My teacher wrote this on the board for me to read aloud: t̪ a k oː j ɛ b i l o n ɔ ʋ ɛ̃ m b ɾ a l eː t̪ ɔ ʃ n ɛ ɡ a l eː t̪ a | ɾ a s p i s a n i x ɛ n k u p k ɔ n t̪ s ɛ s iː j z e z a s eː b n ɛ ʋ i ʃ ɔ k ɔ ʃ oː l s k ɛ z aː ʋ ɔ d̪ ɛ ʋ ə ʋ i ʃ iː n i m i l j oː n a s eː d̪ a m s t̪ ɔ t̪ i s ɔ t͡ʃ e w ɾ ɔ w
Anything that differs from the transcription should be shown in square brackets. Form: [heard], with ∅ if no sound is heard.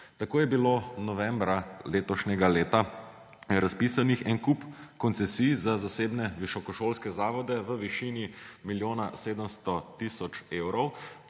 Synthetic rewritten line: t̪ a k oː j ɛ b i l o n ɔ ʋ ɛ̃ m b ɾ a l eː t̪ ɔ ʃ n ɛ ɡ a l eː t̪ a | ɾ a s p i s a n i x ɛ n k u p k ɔ n t̪ s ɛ s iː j z [a] z a s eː b n ɛ ʋ i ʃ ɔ k ɔ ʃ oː l s k ɛ z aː ʋ ɔ d̪ ɛ ʋ ə ʋ i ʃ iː n i m i l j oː n a s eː d̪ [ə] m s t̪ ɔ t̪ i s ɔ t͡ʃ e w ɾ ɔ w

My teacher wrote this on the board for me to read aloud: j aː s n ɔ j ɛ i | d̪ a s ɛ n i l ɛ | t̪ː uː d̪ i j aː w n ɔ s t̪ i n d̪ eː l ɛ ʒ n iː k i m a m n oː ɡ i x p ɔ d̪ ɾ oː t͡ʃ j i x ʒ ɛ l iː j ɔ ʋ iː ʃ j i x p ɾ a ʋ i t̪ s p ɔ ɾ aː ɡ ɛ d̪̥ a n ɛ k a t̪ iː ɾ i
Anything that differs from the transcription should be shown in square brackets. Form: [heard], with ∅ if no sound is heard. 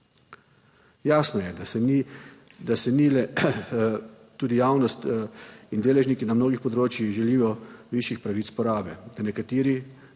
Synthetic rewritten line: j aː s n ɔ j ɛ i | d̪ a s ɛ n i l ɛ | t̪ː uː d̪ i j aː w n ɔ s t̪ i n d̪ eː l ɛ ʒ n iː k i [n] a m n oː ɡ i x p ɔ d̪ ɾ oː t͡ʃ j i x ʒ ɛ l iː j ɔ ʋ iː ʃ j i x p ɾ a ʋ i t̪ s p ɔ ɾ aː [b] ɛ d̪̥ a n ɛ k a t̪ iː ɾ i

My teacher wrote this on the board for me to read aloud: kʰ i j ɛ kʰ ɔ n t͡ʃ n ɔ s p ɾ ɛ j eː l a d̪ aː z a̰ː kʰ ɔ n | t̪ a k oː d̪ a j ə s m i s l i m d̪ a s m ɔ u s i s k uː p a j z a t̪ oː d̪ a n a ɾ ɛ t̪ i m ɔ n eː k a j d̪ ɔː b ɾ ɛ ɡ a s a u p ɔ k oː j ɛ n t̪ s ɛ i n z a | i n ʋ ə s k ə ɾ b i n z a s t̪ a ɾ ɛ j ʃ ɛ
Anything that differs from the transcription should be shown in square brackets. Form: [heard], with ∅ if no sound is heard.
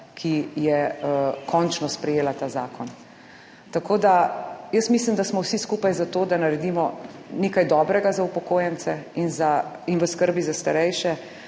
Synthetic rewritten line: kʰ i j ɛ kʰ ɔ n t͡ʃ n ɔ s p ɾ ɛ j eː l a [t̪] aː z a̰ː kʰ ɔ n | t̪ a k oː d̪ a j ə s m i s l i m d̪ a s m ɔ [w] s i s k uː p a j z a t̪ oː d̪ a n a ɾ ɛ [d̪] i m ɔ n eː k a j d̪ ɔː b ɾ ɛ ɡ a [z] a u p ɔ k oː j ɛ n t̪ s ɛ i n z a | i n ʋ ə s k ə ɾ b i [∅] z a s t̪ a ɾ ɛ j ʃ ɛ

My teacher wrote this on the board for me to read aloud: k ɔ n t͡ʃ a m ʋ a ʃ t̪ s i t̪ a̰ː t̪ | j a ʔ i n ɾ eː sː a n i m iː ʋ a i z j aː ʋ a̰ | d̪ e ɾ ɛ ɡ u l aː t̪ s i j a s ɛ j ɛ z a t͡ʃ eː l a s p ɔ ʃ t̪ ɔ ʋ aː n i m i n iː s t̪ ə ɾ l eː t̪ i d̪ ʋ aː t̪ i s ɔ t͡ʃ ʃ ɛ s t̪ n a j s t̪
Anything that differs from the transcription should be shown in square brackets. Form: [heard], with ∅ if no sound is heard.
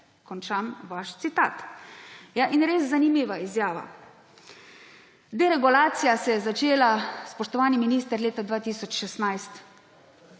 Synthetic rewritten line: k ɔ n t͡ʃ a m ʋ a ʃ t̪ s i t̪ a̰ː t̪ | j a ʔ i n ɾ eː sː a n i m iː ʋ a i z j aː ʋ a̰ | d̪ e ɾ ɛ ɡ u l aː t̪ s i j a s ɛ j ɛ z a t͡ʃ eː l a s p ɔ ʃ t̪ ɔ ʋ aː n i m i n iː s t̪ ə ɾ l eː t̪ [a] d̪ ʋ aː t̪ i s ɔ t͡ʃ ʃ ɛ s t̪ n a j s t̪

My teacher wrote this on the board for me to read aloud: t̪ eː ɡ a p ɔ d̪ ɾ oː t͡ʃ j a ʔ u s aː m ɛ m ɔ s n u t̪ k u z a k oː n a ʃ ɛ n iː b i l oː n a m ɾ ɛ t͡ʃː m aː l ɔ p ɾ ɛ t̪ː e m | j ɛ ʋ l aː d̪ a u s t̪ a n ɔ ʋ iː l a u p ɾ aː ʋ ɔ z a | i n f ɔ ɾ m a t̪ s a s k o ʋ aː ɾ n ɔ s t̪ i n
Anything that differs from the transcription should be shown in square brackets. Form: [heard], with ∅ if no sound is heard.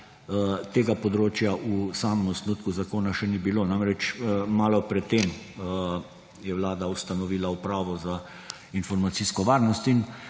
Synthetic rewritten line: t̪ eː ɡ a p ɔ d̪ ɾ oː t͡ʃ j a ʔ u s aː m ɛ m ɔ s n u t̪ k u z a k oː n a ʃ ɛ n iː b i l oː n a m ɾ ɛ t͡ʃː m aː l ɔ p ɾ ɛ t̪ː e m | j ɛ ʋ l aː d̪ a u s t̪ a n ɔ ʋ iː l a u p ɾ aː ʋ ɔ z a | i n f ɔ ɾ m a t̪ s [i] s k [ɔ] ʋ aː ɾ n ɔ s t̪ i n

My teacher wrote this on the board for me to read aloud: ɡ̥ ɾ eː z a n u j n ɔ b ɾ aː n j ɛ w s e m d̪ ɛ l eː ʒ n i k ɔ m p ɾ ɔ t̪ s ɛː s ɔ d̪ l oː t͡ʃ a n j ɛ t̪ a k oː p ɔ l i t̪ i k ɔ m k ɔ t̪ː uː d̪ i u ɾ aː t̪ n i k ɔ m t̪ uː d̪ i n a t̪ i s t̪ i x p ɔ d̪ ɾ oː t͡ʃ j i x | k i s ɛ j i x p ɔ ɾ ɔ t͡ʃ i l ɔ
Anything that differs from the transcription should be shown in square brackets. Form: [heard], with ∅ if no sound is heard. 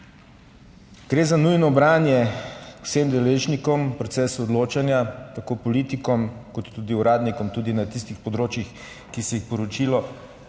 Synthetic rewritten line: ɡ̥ ɾ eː z a n u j n ɔ b ɾ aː n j ɛ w s e m d̪ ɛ l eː ʒ n i k ɔ m p ɾ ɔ t̪ s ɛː s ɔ d̪ l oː t͡ʃ a n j [a] t̪ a k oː p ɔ l i t̪ i k ɔ m k ɔ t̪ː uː d̪ i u ɾ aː [d̪] n i k ɔ m t̪ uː d̪ i n a t̪ i s t̪ i x p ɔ d̪ ɾ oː t͡ʃ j i x | k i s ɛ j i x p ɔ ɾ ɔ t͡ʃ i l ɔ

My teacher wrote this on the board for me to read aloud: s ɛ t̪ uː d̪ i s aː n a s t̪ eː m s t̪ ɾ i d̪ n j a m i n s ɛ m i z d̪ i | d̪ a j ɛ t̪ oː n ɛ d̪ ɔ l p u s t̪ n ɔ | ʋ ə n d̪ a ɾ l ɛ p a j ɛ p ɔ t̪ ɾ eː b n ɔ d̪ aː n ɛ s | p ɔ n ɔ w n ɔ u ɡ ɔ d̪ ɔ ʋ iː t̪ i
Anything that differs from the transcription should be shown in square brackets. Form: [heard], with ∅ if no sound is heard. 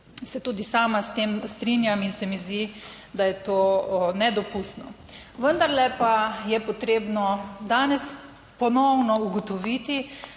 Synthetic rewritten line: s ɛ t̪ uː d̪ i s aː [m] a s t̪ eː m s t̪ ɾ i [∅] n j a m i n s ɛ m i z d̪ i | d̪ a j ɛ t̪ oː n ɛ d̪ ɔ [∅] p u s t̪ n ɔ | ʋ ə n d̪ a ɾ l ɛ p a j ɛ p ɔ t̪ ɾ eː b n ɔ d̪ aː n ɛ s | p ɔ n ɔ w n ɔ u ɡ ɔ [t̪] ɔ ʋ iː t̪ i

